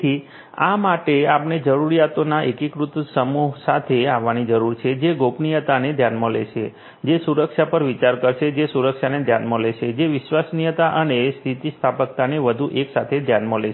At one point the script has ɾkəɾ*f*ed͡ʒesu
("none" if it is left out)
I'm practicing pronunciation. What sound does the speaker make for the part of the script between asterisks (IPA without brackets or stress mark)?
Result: ʃ